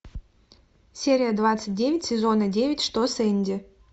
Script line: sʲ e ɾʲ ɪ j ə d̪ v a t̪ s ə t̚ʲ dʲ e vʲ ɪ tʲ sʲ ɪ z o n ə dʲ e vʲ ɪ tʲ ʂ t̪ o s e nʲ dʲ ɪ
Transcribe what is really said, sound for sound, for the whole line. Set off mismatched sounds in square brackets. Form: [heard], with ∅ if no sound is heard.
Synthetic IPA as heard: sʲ e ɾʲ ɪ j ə d̪ v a t̪ s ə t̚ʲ dʲ e vʲ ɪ tʲ sʲ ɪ z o n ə dʲ e vʲ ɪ tʲ ʂ t̪ o s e nʲ dʲ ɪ